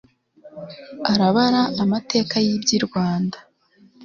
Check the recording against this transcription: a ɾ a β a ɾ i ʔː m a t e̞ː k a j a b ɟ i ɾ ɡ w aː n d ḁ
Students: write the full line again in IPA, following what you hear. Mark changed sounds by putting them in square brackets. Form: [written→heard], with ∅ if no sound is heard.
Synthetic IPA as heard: a ɾ a β a ɾ [i→a] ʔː m a t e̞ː k a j [a→i] b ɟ i ɾ ɡ w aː n d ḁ